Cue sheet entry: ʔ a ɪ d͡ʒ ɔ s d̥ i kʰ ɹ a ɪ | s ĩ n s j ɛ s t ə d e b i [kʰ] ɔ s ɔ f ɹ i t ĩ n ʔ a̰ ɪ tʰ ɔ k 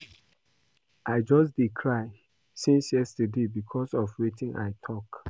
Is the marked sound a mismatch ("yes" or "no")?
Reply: no